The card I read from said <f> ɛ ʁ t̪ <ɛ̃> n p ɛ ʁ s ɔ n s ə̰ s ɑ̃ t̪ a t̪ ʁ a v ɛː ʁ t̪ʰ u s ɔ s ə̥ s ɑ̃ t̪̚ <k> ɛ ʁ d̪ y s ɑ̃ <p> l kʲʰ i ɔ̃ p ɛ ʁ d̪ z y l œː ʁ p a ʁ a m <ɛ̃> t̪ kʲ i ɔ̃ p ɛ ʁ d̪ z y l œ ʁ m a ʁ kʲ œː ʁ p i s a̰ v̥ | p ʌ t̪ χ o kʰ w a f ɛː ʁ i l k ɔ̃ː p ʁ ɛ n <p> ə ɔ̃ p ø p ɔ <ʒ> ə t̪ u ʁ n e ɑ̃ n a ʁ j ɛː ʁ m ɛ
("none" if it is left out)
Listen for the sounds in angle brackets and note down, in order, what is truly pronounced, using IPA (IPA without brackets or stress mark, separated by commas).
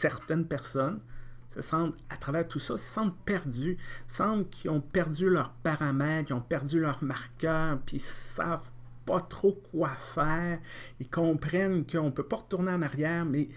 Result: s, ɛ, p, b, ɛ, k, ʁ